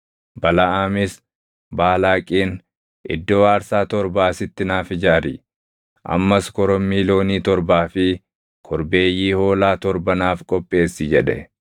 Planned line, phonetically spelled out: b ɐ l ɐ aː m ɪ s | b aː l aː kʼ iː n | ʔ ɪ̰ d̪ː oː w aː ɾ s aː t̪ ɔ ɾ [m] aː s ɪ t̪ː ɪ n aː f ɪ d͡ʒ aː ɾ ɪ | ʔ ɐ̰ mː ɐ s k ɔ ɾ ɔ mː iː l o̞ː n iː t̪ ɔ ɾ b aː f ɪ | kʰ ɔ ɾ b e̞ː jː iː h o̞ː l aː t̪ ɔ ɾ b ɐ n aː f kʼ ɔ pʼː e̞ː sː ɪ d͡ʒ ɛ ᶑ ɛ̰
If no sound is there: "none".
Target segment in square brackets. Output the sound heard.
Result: b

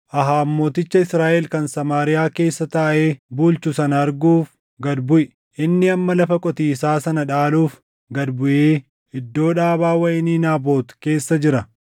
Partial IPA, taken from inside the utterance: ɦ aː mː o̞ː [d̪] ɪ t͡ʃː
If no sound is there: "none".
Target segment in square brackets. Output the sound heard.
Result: t̪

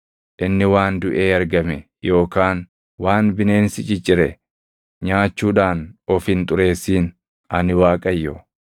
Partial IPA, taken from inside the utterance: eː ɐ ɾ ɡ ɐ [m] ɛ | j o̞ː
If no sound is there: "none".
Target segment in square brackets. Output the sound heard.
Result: m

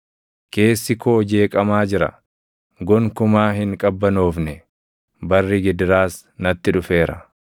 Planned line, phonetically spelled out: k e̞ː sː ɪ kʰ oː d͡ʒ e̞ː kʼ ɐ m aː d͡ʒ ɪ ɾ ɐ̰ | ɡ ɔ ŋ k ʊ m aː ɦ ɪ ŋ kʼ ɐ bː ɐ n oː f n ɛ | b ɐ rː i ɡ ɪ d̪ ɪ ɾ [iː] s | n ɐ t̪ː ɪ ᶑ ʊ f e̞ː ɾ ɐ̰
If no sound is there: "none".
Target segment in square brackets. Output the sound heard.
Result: aː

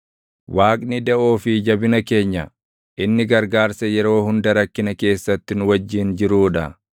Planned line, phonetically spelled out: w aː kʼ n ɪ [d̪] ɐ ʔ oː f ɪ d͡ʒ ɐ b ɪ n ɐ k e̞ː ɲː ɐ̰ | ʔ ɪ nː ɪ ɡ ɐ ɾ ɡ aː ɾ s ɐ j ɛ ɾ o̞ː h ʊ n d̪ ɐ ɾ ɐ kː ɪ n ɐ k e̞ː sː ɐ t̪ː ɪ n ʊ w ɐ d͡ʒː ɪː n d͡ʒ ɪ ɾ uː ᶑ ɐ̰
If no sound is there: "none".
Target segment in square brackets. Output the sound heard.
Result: d̪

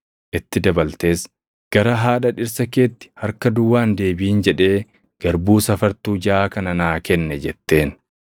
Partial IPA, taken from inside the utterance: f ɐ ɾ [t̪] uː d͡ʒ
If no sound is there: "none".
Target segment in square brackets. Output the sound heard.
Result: t̪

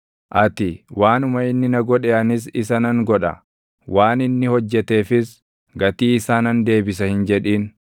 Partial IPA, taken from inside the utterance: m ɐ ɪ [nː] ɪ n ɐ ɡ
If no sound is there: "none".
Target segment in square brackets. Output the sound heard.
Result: nː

